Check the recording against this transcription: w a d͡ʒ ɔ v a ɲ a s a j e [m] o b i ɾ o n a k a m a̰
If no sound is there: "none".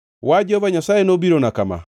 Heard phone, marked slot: n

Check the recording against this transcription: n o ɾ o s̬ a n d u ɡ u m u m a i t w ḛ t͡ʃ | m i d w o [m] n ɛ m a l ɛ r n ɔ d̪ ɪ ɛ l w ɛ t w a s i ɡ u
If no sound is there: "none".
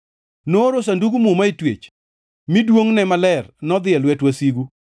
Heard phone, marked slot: ŋ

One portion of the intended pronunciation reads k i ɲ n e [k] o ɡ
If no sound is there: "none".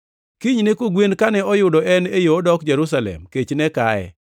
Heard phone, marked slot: k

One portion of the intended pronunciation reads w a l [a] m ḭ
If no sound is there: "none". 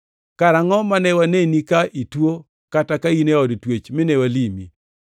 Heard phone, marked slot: i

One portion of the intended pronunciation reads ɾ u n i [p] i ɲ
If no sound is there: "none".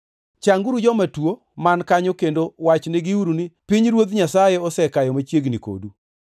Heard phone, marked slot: p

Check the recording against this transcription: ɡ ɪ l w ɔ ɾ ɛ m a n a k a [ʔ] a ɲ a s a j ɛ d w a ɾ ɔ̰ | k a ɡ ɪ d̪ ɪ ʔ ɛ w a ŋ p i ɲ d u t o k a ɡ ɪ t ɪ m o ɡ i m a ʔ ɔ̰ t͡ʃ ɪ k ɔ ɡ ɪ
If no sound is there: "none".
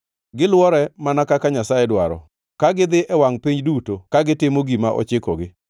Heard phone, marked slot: k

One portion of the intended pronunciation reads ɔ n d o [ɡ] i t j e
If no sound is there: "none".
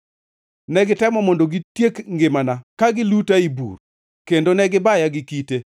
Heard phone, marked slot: ɡ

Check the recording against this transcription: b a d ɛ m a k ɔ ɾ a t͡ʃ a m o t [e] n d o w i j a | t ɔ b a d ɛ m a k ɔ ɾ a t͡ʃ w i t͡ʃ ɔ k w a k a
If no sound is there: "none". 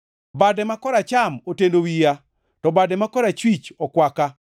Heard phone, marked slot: e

